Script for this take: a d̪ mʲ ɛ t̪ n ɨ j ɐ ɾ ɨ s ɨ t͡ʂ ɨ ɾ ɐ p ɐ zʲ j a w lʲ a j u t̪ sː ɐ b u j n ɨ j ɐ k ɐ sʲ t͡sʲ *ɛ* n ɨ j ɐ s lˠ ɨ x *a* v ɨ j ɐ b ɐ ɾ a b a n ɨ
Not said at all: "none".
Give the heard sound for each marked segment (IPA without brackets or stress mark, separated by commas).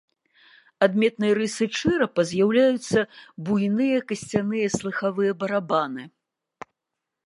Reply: a, a